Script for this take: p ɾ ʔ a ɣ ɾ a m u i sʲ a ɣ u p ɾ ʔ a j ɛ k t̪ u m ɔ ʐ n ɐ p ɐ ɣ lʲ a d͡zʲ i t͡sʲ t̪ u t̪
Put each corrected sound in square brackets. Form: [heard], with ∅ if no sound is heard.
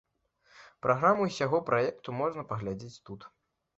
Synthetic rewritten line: p ɾ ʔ a ɣ ɾ a m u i sʲ a ɣ [ɔ] p ɾ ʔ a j ɛ k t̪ u m ɔ ʐ n ɐ p ɐ ɣ lʲ a d͡zʲ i t͡sʲ t̪ u t̪